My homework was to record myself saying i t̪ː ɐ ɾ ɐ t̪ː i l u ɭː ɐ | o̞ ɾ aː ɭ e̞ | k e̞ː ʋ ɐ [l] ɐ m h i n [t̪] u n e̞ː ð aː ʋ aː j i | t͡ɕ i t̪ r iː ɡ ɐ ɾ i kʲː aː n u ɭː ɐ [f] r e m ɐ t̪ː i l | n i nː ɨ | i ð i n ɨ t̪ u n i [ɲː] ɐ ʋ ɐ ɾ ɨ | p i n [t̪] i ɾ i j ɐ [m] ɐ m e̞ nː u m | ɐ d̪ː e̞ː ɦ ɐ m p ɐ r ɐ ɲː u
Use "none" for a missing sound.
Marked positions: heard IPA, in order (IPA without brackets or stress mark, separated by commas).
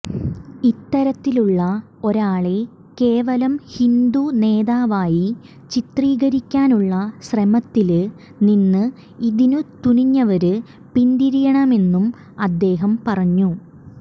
l, d̪, ɕ, ɲː, d̪, ɳ